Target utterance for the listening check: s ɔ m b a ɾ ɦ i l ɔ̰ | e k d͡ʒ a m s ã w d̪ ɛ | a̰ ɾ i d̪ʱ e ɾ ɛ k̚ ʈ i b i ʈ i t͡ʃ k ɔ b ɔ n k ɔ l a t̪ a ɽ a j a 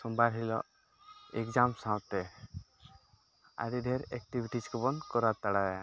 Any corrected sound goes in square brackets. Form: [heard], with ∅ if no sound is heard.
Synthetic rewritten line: s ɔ m b a ɾ ɦ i l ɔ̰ | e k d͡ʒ a m s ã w [t̪] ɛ | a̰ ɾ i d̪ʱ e ɾ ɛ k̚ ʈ i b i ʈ i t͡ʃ k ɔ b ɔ n k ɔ [ɾ] a t̪ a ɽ a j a